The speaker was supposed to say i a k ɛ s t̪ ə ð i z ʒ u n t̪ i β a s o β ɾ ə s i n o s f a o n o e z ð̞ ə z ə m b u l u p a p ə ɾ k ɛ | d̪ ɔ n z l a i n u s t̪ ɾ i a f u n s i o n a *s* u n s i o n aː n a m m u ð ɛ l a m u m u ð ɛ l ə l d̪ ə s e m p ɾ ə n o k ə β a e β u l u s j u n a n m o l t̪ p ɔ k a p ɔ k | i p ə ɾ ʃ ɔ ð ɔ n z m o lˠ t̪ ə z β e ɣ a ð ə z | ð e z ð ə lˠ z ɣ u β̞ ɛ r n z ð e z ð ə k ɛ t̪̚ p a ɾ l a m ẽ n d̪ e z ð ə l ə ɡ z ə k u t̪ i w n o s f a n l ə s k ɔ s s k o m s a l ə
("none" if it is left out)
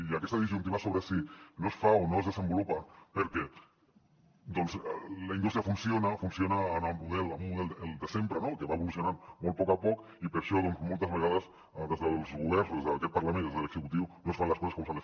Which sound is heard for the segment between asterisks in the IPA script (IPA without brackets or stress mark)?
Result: f